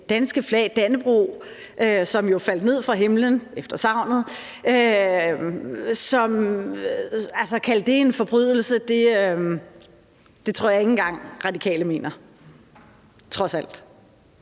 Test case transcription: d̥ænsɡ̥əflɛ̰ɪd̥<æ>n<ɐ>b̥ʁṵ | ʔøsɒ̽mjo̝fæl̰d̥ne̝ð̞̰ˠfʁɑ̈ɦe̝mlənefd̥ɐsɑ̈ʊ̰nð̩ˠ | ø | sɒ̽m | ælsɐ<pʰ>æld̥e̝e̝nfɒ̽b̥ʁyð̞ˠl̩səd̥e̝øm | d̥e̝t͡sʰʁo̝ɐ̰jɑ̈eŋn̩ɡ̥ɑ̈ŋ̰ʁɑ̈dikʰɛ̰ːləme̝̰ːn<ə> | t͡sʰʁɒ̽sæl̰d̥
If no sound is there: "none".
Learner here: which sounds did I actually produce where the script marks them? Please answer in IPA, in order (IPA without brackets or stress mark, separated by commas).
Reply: æ, ə, kʰ, ɐ